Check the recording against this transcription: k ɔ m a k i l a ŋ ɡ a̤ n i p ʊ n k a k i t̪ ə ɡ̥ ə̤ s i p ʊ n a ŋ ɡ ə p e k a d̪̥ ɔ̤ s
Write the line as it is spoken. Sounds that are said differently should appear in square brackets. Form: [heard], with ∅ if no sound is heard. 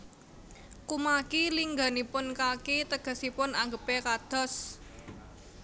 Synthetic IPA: k [u] m a k i l [i] ŋ ɡ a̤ n i p ʊ n k a k i t̪ ə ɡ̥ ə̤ s i p ʊ n a ŋ ɡ ə p e k a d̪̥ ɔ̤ s

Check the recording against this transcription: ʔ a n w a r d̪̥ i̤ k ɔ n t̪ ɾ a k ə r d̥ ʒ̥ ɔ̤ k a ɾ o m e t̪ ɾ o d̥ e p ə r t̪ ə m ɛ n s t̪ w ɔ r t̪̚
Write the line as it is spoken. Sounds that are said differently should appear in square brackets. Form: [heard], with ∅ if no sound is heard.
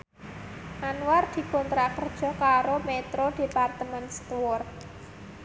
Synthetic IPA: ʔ a n w a r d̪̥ i̤ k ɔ n t̪ ɾ a k ə r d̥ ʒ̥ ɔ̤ k a ɾ o m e t̪ ɾ o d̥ e p [a] r t̪ ə m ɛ n s t̪ w ɔ r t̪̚

